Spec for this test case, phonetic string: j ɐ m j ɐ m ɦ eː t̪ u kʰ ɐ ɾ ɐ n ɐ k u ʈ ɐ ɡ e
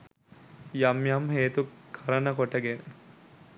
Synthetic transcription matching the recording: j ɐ m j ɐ m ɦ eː t̪ u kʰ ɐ ɾ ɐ n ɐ k o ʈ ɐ ɡ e